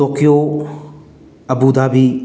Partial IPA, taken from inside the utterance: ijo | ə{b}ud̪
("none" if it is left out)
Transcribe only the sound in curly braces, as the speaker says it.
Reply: b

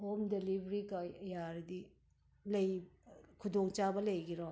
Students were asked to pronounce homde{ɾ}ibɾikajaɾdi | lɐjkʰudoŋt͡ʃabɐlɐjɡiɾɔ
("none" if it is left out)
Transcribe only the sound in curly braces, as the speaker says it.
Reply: l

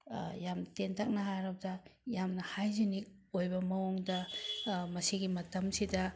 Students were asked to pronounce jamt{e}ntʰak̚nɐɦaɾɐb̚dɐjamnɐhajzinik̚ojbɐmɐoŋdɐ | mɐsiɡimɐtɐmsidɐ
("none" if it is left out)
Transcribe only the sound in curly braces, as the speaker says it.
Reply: e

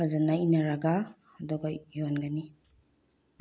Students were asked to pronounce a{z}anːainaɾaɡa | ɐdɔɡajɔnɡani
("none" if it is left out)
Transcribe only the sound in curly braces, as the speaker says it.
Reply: z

